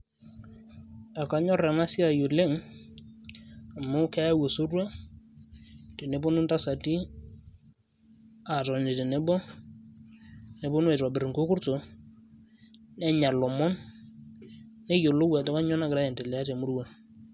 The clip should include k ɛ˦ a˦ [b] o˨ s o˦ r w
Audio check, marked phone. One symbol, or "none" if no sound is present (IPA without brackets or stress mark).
w